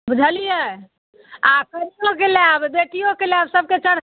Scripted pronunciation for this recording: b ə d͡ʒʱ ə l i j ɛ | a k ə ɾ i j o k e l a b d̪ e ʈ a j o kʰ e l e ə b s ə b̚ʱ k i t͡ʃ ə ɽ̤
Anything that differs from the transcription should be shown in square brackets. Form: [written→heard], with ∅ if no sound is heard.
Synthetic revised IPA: b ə d͡ʒʱ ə l i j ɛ | a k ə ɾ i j o k e l a b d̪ e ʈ [a→i] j o [kʰ→k] e l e [ə→a] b s ə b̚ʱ k [i→e] t͡ʃ ə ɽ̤